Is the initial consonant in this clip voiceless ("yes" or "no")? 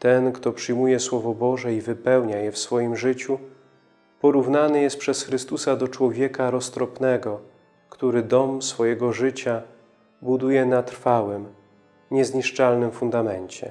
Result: yes